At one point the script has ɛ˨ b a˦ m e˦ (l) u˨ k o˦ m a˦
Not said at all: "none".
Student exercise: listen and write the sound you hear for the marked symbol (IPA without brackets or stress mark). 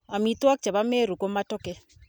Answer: ɾ